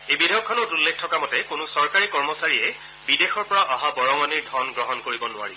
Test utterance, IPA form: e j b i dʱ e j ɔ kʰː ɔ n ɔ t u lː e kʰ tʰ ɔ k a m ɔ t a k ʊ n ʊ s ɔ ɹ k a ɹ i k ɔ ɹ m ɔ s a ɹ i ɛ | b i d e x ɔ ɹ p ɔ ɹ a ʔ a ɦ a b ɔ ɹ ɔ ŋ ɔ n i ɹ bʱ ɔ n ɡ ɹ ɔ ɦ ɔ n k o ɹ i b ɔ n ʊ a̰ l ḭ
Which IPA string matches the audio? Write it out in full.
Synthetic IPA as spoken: e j b i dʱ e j ɔ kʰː ɔ n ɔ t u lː e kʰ tʰ ɔ k a m ɔ t ɛ k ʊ n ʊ s ɔ ɹ k a ɹ i k ɔ ɹ m ɔ s a ɹ i ɛ | b i d e x ɔ ɹ p ɔ ɹ a ʔ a ɦ a b ɔ ɹ ɔ ŋ ɔ n i ɹ dʱ ɔ n ɡ ɹ ɔ ɦ ɔ n k o ɹ i b ɔ n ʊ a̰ ɹ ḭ